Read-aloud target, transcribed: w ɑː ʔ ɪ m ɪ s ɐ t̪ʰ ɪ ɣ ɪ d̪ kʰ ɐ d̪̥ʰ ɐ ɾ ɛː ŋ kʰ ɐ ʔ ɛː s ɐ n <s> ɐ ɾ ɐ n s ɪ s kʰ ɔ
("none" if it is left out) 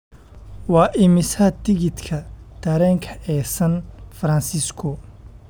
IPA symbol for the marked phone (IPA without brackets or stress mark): f